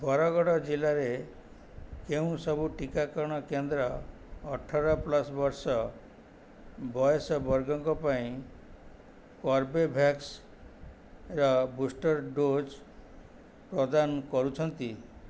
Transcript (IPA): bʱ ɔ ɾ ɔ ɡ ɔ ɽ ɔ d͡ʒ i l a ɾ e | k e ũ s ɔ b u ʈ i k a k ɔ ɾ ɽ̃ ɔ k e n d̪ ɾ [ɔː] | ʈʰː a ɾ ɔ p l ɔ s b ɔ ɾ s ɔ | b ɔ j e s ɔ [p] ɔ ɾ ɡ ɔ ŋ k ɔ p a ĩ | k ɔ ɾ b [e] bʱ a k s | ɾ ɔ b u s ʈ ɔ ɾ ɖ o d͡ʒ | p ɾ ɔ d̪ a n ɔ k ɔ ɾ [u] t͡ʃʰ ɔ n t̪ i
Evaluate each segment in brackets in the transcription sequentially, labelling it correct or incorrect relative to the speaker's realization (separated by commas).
correct, incorrect, correct, correct